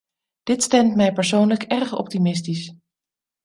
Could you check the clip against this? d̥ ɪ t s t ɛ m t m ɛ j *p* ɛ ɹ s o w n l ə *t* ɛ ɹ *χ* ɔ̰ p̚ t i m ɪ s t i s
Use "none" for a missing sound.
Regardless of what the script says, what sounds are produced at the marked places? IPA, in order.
p, k, χ

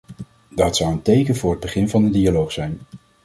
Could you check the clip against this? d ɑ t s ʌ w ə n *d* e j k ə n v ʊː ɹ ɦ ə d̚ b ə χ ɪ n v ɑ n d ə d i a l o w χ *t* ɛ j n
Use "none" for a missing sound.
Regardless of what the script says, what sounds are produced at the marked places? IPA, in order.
t, s

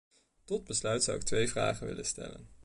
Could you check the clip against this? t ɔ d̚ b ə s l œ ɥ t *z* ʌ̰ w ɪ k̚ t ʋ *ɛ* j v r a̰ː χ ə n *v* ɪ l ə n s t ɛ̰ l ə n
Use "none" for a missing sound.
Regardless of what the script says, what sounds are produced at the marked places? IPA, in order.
s, e, ʋ

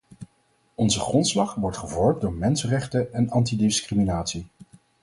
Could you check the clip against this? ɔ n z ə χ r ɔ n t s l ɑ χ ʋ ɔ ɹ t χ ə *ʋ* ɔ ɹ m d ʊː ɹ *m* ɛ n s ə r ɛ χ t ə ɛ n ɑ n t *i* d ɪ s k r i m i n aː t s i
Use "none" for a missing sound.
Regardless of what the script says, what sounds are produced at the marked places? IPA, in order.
v, m, i

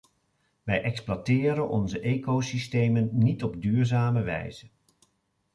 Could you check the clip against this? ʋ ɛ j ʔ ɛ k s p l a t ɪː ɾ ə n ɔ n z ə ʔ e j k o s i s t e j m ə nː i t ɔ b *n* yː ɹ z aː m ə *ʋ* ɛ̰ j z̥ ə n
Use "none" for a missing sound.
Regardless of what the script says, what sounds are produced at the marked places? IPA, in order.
d, ʋ

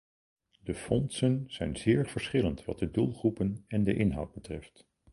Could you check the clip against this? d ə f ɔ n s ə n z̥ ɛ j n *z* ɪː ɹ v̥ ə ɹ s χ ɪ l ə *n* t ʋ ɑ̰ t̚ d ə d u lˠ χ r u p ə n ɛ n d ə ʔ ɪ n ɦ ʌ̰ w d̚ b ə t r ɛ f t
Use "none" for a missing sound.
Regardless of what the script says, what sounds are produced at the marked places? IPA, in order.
z, n

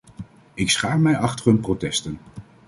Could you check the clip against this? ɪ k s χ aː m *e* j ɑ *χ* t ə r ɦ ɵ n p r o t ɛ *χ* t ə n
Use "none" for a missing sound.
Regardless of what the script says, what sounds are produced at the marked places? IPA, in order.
ɛ, χ, s

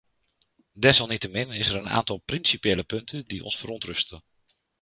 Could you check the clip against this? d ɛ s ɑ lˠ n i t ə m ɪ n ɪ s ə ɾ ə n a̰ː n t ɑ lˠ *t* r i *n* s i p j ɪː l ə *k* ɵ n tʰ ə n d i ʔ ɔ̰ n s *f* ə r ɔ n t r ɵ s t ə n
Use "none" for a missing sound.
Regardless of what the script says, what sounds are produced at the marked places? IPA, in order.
p, n, p, f

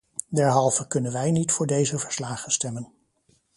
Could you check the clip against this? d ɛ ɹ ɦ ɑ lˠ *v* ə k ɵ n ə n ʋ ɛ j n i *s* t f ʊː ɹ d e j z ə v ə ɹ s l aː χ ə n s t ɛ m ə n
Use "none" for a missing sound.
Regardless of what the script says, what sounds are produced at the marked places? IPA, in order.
v, none

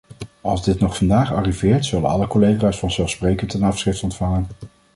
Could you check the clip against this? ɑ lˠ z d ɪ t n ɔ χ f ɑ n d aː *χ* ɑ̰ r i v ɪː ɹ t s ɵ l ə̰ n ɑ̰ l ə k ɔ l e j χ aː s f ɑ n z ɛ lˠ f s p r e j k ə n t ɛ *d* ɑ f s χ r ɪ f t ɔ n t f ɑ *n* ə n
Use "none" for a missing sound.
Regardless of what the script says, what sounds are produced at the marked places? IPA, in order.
χ, n, ŋ

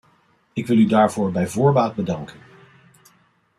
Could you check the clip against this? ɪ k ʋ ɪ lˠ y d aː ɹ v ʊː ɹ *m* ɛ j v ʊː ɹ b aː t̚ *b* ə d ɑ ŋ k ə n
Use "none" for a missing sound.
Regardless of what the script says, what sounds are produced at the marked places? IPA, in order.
b, b

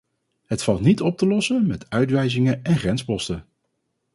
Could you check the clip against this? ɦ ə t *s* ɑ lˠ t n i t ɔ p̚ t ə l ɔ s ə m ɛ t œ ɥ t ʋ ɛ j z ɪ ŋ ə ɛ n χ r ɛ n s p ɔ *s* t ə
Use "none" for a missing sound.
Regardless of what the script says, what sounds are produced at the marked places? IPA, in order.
f, s

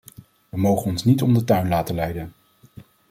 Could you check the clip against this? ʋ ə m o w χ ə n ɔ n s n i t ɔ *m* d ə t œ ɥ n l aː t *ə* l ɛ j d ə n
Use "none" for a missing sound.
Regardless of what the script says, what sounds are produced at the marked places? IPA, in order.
m, ə

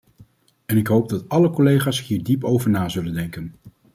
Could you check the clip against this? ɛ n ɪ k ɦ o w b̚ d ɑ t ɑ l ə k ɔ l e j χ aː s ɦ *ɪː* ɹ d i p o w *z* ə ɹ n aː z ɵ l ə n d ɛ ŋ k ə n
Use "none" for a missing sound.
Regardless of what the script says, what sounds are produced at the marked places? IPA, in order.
iː, v

